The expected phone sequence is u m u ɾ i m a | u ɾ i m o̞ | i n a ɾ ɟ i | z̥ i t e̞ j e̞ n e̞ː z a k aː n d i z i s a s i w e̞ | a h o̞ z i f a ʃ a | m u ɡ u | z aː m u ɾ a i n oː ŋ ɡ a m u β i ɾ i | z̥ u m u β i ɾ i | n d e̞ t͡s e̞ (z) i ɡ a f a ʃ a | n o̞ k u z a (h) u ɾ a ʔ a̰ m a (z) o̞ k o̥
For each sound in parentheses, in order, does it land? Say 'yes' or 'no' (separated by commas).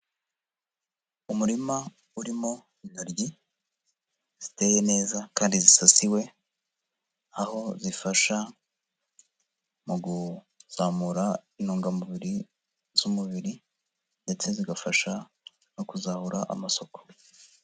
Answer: yes, yes, no